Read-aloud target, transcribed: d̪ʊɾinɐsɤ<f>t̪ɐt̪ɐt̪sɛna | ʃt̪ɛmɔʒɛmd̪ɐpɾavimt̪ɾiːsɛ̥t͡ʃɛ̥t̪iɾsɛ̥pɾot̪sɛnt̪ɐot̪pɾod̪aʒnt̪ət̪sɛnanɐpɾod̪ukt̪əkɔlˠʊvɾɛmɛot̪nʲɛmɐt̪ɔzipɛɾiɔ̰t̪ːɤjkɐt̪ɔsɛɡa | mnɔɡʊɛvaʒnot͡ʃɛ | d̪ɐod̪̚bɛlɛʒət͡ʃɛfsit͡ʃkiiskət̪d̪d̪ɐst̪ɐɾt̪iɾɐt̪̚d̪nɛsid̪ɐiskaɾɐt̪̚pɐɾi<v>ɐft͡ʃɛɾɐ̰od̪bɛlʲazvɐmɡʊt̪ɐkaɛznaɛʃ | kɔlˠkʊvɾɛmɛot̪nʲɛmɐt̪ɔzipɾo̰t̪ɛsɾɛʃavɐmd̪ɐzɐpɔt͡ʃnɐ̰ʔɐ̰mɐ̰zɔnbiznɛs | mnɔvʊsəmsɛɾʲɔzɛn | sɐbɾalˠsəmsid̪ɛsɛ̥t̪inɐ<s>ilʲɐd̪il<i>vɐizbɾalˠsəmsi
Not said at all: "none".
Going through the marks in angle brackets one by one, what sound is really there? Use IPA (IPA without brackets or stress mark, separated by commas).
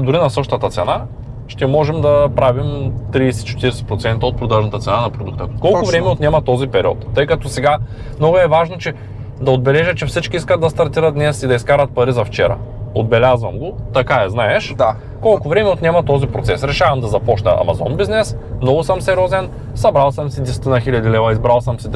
ʃ, z, x, ɛ